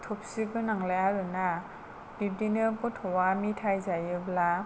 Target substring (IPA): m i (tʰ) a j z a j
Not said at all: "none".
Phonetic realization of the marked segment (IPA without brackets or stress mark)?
tʰ